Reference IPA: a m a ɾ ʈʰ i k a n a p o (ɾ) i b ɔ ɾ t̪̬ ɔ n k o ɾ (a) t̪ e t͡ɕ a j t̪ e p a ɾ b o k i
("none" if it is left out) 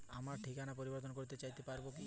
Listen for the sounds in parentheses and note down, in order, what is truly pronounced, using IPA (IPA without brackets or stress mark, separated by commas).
ɾ, i